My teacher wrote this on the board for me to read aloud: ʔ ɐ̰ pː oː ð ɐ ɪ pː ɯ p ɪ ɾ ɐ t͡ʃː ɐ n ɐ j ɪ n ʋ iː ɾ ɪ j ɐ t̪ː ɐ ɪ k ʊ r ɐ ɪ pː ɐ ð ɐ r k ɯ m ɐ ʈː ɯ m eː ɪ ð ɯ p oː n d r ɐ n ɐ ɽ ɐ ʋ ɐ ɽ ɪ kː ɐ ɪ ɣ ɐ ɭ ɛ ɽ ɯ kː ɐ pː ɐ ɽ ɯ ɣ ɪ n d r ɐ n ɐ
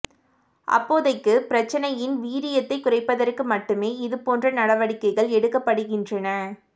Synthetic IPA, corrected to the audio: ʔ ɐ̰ pː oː ð ɐ ɪ kː ɯ p ɪ ɾ ɐ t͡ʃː ɐ n ɐ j ɪ n ʋ iː ɾ ɪ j ɐ t̪ː ɐ ɪ k ʊ r ɐ ɪ pː ɐ ð ɐ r k ɯ m ɐ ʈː ɯ m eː ɪ ð ɯ p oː n d r ɐ n ɐ ɽ ɐ ʋ ɐ ɽ ɪ kː ɐ ɪ ɣ ɐ ɭ ɛ ɽ ɯ kː ɐ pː ɐ ɽ ɯ ɣ ɪ n d r ɐ n ɐ